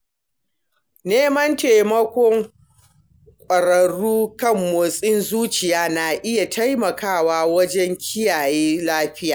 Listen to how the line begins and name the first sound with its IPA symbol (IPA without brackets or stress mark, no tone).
n